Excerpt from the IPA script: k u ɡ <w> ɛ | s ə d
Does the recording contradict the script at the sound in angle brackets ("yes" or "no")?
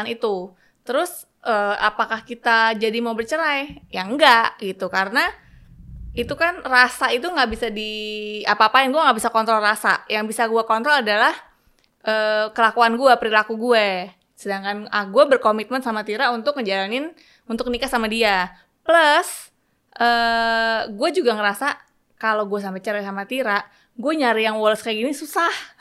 yes